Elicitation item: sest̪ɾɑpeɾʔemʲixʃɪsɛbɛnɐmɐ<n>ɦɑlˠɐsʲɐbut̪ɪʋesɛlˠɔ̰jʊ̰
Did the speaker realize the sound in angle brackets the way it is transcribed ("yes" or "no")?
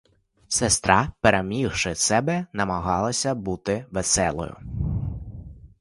no